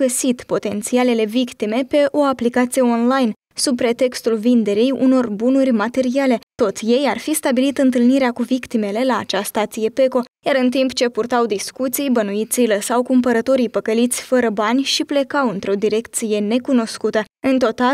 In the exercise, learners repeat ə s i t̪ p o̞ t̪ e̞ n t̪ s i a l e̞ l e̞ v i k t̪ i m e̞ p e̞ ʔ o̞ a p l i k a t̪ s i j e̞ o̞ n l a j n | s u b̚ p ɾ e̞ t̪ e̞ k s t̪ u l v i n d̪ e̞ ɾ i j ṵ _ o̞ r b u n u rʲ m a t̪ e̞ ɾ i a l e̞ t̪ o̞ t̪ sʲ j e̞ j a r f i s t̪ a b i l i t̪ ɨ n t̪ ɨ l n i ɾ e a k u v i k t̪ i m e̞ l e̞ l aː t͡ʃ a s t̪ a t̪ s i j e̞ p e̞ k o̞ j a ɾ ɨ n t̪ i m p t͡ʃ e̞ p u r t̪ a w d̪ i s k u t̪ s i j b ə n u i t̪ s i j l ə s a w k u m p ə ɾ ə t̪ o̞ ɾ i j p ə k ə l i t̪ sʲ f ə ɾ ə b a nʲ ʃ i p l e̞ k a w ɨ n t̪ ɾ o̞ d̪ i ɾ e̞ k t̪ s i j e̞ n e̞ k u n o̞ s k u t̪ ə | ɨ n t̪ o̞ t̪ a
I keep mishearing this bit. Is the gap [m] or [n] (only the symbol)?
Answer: n